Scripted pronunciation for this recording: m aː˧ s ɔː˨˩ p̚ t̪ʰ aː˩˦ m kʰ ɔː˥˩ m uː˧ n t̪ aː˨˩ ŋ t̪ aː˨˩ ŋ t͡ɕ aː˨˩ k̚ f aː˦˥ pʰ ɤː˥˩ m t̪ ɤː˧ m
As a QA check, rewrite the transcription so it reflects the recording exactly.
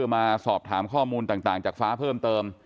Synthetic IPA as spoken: m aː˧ s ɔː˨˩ p̚ t̪ʰ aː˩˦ m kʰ ɔː˥˩ m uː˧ n t̪ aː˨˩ ŋ t̪ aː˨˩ ŋ t͡ɕ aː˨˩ k̚ f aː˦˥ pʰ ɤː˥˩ m t̪ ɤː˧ m